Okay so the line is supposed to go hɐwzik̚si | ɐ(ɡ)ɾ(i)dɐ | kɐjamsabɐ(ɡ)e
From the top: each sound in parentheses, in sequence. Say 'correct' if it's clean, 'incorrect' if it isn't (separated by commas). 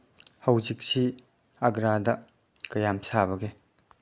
correct, incorrect, correct